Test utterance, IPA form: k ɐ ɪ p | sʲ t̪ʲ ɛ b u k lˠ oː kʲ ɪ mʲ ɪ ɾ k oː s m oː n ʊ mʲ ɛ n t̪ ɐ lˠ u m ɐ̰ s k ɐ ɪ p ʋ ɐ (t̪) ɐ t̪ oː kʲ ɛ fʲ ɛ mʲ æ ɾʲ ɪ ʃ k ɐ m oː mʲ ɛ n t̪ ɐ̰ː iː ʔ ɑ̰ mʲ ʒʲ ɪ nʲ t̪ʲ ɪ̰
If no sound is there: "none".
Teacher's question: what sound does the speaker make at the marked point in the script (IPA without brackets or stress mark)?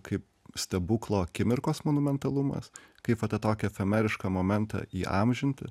t̪